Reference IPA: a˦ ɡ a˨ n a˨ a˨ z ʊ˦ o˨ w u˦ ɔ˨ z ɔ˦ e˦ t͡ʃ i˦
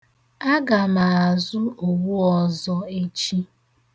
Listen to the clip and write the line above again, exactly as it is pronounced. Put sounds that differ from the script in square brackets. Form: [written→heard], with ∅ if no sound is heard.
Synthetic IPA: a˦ ɡ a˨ [n→m] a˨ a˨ z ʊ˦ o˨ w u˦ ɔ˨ z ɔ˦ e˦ t͡ʃ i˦